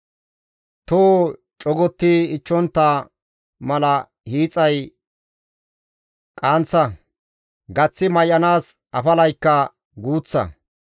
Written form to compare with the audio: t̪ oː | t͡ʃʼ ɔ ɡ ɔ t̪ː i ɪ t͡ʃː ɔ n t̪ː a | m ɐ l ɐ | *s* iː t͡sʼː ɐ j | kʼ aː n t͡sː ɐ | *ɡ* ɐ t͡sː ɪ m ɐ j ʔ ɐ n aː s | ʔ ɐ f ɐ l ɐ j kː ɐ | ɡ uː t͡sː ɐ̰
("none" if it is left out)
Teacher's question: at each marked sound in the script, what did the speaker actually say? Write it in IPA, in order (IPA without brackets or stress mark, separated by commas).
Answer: h, ɡ